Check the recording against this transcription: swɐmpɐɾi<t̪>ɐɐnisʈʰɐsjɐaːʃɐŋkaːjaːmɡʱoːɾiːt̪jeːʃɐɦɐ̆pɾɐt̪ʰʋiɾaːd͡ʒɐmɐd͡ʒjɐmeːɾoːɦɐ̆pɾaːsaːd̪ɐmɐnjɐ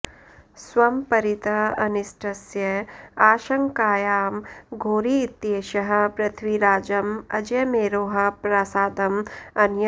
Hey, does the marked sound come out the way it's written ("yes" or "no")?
yes